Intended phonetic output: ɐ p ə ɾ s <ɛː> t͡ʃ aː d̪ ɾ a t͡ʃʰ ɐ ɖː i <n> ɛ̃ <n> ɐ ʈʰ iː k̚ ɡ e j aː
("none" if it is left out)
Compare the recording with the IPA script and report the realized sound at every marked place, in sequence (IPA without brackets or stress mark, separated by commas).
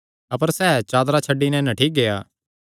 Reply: ɛː, n, n